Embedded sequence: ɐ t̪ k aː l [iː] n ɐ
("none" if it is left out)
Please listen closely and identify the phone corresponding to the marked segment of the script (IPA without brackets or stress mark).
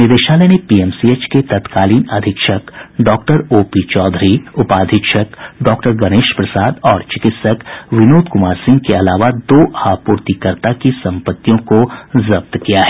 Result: iː